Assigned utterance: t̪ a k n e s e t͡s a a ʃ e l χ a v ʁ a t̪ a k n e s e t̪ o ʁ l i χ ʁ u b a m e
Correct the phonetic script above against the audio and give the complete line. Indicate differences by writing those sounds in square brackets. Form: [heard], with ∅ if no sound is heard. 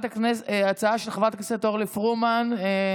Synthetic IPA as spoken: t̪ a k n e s [a] t͡s a a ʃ e l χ a v ʁ a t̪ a k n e s e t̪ o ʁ l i [f] ʁ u [m] a [n] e